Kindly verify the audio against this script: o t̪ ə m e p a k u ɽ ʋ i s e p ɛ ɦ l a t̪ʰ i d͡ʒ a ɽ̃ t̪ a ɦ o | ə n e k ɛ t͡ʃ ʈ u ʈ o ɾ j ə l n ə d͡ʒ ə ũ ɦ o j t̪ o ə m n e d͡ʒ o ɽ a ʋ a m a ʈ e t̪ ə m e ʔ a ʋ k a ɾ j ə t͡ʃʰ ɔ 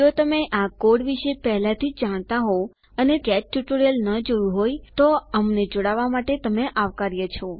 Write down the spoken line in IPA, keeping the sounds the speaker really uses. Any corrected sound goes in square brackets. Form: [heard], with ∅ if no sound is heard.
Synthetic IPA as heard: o t̪ ə m e [ʔ] a k [o] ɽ ʋ i [ʃ] e p ɛ ɦ l a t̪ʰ i d͡ʒ a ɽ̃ t̪ a ɦ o | ə n e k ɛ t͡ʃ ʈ u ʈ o ɾ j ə l n ə d͡ʒ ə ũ ɦ o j t̪ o ə m n e d͡ʒ o ɽ a ʋ a m a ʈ e t̪ ə m e ʔ a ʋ k a ɾ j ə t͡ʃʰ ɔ